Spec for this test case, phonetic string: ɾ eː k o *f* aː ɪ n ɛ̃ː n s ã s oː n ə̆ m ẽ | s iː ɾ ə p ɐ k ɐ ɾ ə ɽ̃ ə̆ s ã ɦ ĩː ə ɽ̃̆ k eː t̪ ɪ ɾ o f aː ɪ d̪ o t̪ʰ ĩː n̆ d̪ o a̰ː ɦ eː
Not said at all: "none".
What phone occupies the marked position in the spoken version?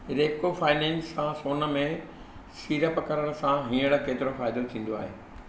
f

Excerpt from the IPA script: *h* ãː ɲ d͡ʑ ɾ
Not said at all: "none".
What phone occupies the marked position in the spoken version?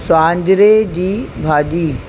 s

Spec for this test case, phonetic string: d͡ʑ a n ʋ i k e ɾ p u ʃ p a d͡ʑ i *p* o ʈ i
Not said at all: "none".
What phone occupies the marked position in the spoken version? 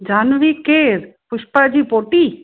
p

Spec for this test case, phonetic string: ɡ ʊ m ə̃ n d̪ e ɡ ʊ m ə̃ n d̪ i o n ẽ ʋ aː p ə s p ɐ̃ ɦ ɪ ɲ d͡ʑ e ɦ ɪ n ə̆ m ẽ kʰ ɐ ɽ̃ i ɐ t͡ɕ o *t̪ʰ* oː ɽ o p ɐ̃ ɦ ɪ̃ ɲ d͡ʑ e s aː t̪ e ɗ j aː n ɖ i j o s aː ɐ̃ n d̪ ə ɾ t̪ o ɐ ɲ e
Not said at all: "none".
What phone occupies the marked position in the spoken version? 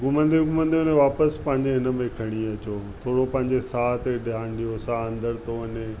t̪ʰ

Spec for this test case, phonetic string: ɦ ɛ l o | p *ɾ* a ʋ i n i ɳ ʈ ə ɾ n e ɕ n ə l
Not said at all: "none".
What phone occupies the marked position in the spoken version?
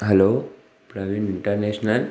ɾ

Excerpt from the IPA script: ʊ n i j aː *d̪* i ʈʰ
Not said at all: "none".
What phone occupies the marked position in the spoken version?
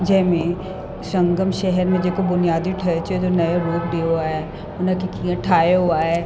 d̪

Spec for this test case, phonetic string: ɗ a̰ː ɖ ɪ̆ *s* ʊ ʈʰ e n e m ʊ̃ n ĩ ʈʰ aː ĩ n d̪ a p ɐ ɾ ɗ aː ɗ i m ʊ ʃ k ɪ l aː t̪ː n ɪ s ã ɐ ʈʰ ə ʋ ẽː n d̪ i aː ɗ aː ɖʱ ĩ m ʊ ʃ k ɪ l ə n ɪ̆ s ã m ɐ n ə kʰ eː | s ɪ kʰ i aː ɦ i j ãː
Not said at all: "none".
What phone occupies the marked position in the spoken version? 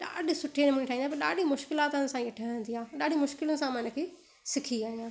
s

